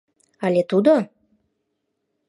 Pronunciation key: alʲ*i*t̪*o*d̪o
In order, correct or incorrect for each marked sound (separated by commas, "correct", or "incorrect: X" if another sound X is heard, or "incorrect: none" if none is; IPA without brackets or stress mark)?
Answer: incorrect: e, incorrect: u